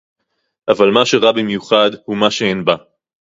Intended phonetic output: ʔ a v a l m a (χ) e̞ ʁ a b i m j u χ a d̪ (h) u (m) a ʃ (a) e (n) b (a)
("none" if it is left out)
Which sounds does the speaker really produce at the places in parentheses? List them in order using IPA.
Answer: ʃ, h, m, e, n, a

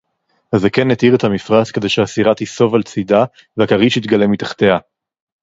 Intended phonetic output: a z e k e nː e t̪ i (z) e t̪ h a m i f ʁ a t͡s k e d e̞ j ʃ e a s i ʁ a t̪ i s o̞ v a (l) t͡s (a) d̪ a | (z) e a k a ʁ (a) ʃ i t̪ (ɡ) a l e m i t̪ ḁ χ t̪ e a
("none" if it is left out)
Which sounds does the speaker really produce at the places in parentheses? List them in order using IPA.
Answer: ʁ, l, i, v, i, ɡ

